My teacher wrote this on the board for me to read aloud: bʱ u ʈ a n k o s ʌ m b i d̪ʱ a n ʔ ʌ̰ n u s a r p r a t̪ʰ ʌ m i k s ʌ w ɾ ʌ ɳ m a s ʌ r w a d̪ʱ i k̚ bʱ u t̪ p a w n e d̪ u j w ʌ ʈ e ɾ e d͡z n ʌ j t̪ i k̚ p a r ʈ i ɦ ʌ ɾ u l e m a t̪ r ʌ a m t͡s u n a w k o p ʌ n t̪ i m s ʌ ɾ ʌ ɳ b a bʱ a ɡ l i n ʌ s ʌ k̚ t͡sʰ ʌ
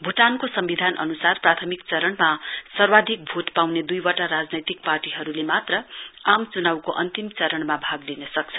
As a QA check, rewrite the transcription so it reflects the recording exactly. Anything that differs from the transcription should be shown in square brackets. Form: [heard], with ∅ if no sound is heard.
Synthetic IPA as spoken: bʱ u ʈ a n k o s ʌ m b i d̪ʱ a n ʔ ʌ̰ n u s a r p r a t̪ʰ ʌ m i k [t͡s] ʌ [∅] ɾ ʌ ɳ m a s ʌ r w a d̪ʱ i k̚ bʱ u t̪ p a w n e d̪ u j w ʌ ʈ [a] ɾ [a] d͡z n ʌ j t̪ i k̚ p a r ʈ i ɦ ʌ ɾ u l e m a t̪ r ʌ a m t͡s u n a w k o [ʔ] ʌ n t̪ i m [t͡s] ʌ ɾ ʌ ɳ [m] a bʱ a ɡ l i n ʌ s ʌ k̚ t͡sʰ ʌ